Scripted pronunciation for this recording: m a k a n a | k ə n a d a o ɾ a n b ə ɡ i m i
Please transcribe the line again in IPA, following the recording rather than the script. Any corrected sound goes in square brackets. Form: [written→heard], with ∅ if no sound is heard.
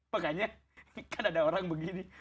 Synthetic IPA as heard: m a k a [n→ɲ] a | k [ə→a] n a d a o ɾ a [n→ŋ] b ə ɡ i [m→n] i